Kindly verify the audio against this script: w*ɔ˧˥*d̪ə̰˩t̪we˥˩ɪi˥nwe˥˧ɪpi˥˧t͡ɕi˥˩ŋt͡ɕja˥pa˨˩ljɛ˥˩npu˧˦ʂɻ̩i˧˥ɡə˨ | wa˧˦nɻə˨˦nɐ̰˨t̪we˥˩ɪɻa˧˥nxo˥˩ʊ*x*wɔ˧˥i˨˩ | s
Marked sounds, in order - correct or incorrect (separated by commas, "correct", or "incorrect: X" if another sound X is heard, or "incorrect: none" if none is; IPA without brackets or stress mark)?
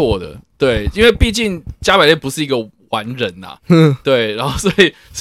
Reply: incorrect: ɔ˥˩, incorrect: s